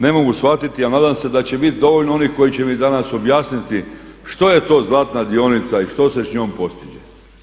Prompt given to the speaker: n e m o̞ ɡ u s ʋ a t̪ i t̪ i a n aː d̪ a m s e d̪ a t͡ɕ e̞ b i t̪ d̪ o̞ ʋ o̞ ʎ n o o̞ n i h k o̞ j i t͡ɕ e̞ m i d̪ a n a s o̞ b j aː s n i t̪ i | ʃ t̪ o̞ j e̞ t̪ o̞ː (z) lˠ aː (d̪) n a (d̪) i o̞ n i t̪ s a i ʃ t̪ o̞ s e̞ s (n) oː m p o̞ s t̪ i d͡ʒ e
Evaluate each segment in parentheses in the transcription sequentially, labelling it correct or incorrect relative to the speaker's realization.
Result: correct, incorrect, correct, incorrect

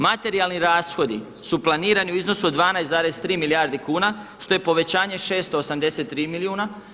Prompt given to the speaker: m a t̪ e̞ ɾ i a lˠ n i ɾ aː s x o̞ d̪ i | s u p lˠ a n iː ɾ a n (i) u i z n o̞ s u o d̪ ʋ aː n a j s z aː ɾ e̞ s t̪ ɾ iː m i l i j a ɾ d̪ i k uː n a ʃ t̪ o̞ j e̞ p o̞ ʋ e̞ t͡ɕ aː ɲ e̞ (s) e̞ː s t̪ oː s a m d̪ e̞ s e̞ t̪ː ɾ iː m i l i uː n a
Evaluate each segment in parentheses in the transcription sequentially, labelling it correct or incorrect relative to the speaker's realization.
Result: correct, incorrect

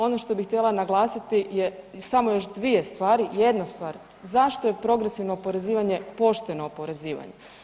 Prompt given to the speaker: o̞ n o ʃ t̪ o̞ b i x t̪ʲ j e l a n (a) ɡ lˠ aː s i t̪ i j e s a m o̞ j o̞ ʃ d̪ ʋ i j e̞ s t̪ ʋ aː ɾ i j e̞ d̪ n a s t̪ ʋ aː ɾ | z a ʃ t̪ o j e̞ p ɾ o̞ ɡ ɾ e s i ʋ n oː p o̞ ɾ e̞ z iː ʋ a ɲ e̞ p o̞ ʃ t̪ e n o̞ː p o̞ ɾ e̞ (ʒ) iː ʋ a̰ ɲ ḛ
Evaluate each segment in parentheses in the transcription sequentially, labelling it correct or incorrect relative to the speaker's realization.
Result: correct, incorrect

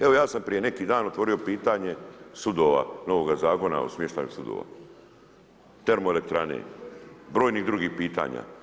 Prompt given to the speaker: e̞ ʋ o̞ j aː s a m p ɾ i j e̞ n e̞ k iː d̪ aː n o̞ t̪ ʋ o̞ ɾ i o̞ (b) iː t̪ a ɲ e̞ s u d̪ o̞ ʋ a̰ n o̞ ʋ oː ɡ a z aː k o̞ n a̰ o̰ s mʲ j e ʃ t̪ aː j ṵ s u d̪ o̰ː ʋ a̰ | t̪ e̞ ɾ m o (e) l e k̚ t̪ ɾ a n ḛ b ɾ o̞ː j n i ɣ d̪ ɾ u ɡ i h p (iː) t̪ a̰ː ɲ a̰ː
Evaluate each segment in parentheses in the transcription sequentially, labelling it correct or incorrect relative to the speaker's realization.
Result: incorrect, correct, correct

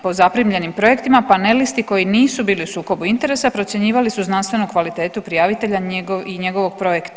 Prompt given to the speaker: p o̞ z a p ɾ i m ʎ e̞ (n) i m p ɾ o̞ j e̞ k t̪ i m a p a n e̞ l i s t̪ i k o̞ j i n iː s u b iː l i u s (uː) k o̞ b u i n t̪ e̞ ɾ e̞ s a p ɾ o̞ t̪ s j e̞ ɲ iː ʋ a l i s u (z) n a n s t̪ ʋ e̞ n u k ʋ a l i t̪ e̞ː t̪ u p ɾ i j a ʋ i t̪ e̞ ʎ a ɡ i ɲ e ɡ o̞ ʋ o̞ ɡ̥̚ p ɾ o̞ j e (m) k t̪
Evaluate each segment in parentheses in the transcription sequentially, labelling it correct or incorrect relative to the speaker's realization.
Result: correct, correct, correct, incorrect

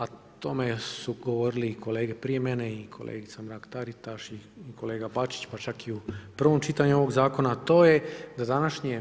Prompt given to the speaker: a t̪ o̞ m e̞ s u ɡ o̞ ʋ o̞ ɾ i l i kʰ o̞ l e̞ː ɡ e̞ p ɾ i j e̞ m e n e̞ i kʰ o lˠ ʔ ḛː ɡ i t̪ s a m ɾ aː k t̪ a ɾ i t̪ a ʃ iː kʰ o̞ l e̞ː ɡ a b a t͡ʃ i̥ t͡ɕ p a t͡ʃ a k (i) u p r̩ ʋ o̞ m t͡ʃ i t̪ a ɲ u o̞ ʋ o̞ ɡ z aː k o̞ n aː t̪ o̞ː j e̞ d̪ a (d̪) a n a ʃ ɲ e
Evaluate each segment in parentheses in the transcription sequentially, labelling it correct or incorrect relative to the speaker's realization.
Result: correct, correct

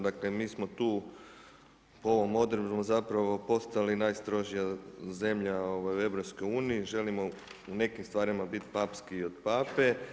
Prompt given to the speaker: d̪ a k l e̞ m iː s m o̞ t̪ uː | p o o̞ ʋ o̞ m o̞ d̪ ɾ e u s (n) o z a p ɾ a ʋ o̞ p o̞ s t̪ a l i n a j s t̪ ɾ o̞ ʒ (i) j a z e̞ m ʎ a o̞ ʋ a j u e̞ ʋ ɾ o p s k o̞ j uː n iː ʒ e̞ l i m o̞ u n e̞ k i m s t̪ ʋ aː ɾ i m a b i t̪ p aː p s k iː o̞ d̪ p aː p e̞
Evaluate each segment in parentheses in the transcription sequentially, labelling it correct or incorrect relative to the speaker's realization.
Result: incorrect, correct

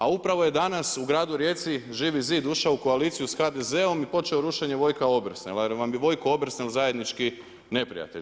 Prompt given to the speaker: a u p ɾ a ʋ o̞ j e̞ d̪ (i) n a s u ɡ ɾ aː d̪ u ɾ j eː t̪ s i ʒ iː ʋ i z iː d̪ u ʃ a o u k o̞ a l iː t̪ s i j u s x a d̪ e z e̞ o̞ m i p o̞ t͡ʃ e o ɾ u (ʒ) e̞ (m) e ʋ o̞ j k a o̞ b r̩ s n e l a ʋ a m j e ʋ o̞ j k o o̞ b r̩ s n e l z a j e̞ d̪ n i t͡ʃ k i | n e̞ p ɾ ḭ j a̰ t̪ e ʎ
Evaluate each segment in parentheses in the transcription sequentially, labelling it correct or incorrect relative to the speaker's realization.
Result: incorrect, incorrect, incorrect

